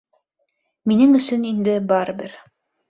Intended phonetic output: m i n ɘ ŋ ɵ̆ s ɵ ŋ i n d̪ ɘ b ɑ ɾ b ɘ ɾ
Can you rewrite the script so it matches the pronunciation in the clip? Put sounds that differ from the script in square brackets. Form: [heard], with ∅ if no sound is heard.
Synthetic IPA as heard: m i n ɘ ŋ ɵ̆ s ɵ [n] i n d̪ ɘ b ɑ ɾ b ɘ ɾ